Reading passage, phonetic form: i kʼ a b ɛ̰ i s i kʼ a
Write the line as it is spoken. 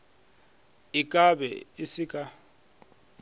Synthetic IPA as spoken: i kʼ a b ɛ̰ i s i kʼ a

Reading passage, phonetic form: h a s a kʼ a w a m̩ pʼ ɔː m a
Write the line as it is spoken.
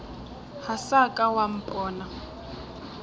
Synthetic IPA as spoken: h a s a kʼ a w a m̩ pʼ ɔː n a

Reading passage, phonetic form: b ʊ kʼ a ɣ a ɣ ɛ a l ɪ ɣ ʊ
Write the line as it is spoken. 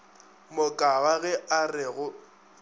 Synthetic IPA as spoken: m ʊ kʼ a w a ɣ ɛ a r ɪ ɣ ʊ

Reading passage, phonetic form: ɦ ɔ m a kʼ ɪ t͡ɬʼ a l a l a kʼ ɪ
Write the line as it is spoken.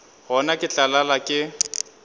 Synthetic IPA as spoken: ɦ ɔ n a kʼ ɪ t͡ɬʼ a l a l a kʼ ɪ

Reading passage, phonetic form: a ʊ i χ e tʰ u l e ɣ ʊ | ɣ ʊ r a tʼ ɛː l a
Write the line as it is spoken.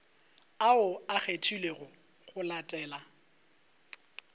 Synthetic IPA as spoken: a ʊ a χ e tʰ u l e ɣ ʊ | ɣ ʊ l a tʼ ɛː l a

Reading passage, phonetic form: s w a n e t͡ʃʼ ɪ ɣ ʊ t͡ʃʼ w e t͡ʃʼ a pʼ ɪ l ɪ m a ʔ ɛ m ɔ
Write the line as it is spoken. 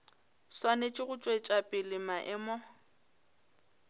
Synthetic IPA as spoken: s w a n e t͡ʃʼ ɪ ɣ ʊ t͡ʃʼ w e t͡ʃʼ a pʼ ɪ l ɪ m a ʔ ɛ m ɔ

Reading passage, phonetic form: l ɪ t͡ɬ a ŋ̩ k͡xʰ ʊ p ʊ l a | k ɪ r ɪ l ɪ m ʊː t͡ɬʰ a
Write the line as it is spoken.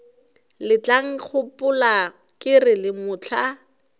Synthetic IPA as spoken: l ɪ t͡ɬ a ŋ̩ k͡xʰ ʊ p ʊ l a | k ɪ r ɪ l ɪ m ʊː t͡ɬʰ a

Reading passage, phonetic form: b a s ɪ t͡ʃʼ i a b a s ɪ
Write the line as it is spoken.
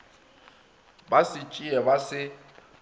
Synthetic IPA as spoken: b a s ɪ t͡ʃʼ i ɛ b a s ɪ

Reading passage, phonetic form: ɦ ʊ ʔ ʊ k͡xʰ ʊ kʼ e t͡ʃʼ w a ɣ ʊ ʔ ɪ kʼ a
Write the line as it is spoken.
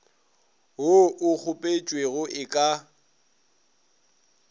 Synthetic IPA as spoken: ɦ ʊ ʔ ʊ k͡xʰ ʊ pʼ e t͡ʃʼ w e ɣ ʊ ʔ ɪ kʼ a

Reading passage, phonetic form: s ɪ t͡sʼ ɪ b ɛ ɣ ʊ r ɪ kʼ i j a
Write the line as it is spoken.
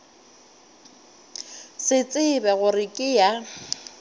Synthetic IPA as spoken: s ɪ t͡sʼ ɪ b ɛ ɣ ʊ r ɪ kʼ ɪ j a

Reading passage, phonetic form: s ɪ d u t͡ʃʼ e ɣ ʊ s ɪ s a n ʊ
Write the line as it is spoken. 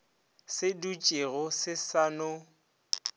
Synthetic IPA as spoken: s ɪ d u t͡ʃʼ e ɣ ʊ s ɪ s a n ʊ

